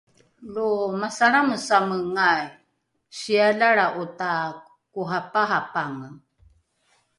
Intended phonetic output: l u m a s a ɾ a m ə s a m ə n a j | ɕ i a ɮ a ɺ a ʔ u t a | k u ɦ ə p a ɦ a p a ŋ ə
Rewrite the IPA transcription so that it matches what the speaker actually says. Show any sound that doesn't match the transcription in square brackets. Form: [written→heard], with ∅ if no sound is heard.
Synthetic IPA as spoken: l u m a s a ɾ a m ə s a m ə [n→ŋ] a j | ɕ i a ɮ a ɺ a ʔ u t a | k u ɦ [ə→a] p a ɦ a p a ŋ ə